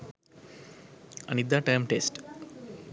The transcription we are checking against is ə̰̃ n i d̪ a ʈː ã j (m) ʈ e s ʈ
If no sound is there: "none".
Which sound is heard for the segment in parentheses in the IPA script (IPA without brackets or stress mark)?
m